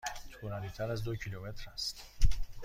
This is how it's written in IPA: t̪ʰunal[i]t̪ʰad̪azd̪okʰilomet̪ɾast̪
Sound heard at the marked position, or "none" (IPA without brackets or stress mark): i